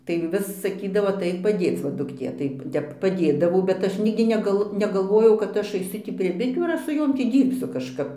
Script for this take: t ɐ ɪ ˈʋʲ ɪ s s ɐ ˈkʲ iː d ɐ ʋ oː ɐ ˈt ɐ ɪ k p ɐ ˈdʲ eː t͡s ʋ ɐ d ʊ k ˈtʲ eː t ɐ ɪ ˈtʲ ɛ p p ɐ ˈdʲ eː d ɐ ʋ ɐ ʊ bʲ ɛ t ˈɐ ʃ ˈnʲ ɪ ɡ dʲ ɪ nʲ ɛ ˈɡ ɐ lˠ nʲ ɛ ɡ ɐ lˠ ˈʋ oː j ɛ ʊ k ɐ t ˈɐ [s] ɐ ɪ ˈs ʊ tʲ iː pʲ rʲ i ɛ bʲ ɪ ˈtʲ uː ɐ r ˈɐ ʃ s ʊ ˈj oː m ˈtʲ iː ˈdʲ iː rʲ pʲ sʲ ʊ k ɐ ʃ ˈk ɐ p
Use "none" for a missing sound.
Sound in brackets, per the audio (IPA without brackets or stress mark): ʃ